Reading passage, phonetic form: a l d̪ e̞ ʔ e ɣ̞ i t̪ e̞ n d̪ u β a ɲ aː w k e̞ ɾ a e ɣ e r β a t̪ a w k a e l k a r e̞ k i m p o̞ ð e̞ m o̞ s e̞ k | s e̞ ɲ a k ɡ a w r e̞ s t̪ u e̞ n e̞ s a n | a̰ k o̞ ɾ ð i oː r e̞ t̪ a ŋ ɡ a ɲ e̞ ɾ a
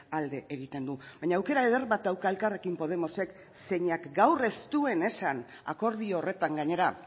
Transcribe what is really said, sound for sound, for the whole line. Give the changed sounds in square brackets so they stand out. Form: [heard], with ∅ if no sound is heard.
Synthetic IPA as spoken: a l d̪ e̞ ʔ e ɣ̞ i t̪ e̞ n d̪ u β a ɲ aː w k e̞ ɾ a e [ð] e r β a t̪ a w k a e l k a r e̞ k i m p o̞ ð e̞ m o̞ s e̞ k | s e̞ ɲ a k ɡ a w r e̞ s t̪ u e̞ n e̞ s a n | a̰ k o̞ ɾ ð i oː r e̞ t̪ a ŋ ɡ a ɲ e̞ ɾ a